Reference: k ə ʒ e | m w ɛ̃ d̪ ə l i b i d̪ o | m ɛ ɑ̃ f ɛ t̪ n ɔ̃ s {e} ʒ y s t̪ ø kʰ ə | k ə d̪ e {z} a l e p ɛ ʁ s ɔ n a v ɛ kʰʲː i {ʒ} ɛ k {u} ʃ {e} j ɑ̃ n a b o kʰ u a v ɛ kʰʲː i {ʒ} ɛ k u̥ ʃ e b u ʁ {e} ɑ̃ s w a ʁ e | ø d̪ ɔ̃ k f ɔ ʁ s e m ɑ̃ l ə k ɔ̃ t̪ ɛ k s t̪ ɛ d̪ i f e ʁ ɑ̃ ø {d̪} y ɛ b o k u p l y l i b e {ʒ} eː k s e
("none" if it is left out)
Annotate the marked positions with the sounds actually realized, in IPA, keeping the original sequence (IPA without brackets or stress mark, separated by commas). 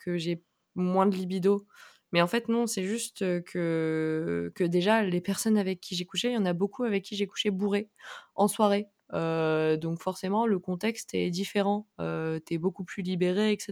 ɛ, ʒ, ʒ, u, e, ʒ, e, t̪, ʁ